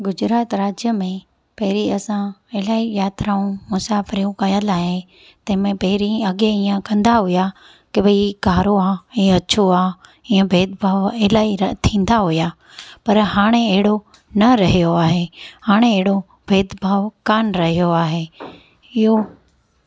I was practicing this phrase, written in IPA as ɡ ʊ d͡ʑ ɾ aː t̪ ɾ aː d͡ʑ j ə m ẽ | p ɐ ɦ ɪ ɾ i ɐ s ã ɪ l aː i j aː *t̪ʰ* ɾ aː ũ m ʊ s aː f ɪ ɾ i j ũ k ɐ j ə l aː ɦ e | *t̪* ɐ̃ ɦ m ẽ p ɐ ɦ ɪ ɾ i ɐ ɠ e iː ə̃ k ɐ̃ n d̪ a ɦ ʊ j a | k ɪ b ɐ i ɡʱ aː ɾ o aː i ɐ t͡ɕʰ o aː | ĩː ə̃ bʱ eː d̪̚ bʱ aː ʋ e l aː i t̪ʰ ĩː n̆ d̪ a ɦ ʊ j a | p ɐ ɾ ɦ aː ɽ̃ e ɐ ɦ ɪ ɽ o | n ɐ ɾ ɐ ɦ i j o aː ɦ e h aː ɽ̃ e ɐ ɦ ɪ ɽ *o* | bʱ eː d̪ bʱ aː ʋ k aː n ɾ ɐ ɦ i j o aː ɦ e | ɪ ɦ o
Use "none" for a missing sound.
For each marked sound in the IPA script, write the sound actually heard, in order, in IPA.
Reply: t̪, t̪, o

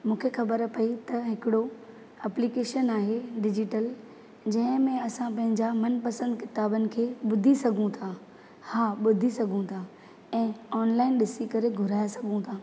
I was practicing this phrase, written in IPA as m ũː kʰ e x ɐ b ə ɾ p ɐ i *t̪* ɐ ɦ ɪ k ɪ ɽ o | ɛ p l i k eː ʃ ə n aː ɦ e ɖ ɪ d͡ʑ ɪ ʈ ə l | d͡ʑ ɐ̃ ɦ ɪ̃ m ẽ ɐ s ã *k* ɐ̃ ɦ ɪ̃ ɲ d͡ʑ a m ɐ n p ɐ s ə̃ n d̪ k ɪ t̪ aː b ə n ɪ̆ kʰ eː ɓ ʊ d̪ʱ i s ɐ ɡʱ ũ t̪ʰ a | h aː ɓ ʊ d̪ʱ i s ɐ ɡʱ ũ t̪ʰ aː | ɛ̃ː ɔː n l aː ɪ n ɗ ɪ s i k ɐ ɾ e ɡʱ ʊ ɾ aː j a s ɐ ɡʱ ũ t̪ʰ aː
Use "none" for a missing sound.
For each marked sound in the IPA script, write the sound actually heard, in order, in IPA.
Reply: t̪, p

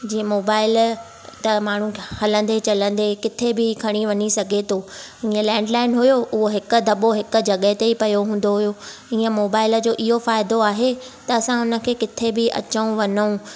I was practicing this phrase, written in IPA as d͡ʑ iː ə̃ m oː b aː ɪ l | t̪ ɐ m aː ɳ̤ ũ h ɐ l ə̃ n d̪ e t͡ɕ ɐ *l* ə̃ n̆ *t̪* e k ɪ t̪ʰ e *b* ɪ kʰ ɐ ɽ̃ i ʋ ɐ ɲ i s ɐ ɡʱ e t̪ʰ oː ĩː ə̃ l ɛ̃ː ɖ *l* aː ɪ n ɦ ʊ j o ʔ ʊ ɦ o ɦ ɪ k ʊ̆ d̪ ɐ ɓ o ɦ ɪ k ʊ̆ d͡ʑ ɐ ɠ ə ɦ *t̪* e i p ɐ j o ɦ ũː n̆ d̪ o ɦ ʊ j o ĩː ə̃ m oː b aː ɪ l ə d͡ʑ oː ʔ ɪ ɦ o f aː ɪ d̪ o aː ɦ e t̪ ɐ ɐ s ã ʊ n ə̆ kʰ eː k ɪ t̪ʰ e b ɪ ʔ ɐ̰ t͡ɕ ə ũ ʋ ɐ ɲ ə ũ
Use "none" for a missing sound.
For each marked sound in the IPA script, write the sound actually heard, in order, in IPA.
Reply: l, d̪, b, l, t̪

